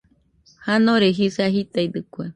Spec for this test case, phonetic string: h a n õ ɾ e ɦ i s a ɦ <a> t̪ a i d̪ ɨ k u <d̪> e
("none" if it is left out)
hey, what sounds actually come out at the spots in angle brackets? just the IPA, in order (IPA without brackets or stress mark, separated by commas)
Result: i, none